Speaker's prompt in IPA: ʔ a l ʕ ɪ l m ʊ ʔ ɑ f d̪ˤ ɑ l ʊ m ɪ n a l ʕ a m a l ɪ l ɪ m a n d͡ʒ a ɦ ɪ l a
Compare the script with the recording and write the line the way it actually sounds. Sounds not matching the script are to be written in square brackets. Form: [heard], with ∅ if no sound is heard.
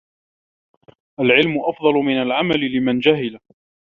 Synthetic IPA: ʔ a l ʕ ɪ l m ʊ ʔ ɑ f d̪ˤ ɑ l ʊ m ɪ n a l ʕ a m a l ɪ l ɪ m a n d͡ʒ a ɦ ɪ l a